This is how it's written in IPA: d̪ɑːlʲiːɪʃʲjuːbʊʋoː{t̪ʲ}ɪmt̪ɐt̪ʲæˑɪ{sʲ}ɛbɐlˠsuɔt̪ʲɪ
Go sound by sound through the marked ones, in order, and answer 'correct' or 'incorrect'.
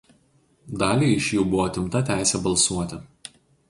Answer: correct, correct

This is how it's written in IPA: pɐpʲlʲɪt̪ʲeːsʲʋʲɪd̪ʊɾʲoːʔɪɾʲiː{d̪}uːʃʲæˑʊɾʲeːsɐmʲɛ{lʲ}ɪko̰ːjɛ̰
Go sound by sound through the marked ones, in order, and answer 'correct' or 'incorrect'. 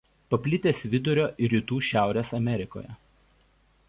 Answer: incorrect, incorrect

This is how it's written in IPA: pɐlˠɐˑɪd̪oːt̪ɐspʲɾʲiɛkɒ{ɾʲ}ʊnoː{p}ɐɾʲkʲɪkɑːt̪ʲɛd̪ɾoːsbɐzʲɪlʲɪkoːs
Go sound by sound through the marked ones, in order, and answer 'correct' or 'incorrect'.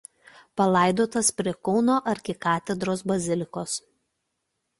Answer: incorrect, incorrect

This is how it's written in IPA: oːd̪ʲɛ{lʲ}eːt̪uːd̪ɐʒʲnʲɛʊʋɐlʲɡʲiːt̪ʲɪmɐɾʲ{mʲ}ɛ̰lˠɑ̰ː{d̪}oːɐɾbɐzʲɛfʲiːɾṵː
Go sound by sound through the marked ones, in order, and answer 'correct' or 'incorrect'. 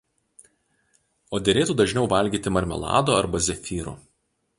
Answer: incorrect, correct, correct

